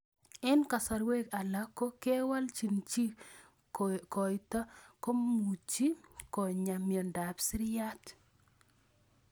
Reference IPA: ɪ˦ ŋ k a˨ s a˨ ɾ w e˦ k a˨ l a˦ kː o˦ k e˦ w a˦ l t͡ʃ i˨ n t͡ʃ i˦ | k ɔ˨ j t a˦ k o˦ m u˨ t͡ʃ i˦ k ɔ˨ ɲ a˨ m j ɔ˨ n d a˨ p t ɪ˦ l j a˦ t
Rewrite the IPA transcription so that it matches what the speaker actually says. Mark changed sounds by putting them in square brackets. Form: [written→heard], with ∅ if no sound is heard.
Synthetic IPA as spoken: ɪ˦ [ŋ→n] k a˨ s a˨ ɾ w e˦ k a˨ l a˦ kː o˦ k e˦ w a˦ l t͡ʃ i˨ n t͡ʃ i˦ | k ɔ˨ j t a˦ k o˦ m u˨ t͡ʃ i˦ k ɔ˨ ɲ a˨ m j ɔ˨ n d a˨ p [t→s] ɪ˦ [l→ɾ] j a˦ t